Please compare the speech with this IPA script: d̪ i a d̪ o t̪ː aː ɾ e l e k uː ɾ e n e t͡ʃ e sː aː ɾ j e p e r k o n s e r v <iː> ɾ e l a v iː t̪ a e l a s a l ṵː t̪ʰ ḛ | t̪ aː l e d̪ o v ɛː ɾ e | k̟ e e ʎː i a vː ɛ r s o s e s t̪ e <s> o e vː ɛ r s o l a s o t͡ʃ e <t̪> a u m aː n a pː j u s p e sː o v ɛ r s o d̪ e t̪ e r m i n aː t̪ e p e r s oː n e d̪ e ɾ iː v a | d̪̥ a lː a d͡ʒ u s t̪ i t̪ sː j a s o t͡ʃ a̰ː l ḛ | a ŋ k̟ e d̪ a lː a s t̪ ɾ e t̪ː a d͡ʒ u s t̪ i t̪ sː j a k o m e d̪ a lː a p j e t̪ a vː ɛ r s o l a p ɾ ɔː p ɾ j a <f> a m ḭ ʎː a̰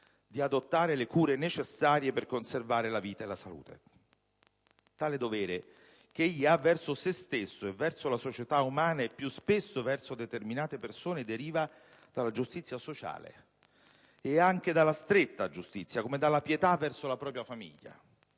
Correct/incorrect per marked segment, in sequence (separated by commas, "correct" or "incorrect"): incorrect, incorrect, correct, correct